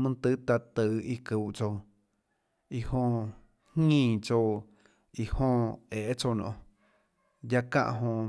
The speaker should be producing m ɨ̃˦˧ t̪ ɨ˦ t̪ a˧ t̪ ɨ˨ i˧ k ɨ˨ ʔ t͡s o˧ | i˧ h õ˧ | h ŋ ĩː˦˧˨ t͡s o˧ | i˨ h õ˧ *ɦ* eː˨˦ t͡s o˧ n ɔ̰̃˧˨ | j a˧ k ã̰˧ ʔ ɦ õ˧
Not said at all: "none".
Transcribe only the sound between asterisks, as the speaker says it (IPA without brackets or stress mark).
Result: none